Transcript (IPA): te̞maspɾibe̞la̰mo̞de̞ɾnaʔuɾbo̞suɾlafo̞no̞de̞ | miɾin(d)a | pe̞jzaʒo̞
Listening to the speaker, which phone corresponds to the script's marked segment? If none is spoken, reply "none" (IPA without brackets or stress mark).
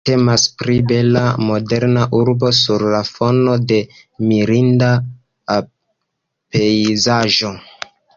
d